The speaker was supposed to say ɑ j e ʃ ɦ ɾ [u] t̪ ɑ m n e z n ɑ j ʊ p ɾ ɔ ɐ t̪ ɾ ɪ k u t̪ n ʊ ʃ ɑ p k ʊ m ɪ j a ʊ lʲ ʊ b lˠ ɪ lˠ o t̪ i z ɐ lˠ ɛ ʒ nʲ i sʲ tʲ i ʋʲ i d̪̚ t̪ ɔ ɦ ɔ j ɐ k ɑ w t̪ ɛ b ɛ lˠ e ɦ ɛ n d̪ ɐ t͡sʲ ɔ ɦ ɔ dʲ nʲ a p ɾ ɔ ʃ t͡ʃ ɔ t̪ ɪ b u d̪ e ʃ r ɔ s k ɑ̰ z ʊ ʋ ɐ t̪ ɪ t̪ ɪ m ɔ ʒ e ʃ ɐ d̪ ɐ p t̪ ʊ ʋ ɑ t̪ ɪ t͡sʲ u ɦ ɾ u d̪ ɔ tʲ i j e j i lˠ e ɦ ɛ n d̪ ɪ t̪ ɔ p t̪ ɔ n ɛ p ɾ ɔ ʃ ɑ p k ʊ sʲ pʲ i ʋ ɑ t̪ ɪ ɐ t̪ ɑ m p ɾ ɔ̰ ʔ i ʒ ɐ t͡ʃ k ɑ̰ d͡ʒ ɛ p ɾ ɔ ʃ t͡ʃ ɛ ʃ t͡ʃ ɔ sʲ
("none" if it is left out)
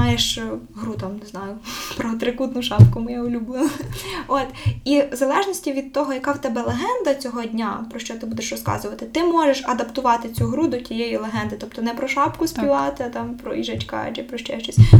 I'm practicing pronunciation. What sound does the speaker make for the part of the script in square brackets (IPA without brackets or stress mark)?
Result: u